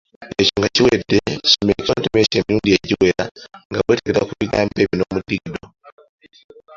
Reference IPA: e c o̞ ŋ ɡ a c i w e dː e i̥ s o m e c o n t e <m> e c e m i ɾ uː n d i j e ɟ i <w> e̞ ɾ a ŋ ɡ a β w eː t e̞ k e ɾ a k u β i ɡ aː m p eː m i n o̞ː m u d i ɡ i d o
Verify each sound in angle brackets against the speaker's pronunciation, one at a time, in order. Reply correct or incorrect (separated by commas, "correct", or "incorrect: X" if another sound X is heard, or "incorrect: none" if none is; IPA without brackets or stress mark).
correct, correct